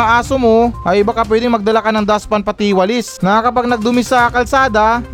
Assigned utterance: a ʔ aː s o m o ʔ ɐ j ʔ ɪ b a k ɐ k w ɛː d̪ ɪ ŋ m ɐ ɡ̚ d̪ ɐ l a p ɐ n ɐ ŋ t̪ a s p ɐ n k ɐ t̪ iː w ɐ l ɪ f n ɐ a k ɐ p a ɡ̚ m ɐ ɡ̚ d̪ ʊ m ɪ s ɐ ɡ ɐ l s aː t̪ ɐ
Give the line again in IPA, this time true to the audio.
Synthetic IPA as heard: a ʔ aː s o m o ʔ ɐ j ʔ ɪ b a k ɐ p w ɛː d̪ ɪ ŋ m ɐ ɡ̚ d̪ ɐ l a k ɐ n ɐ ŋ d̪ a s p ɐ n p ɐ t̪ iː w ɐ l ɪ s n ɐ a k ɐ p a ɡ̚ n ɐ ɡ̚ d̪ ʊ m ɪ s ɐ k ɐ l s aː d̪ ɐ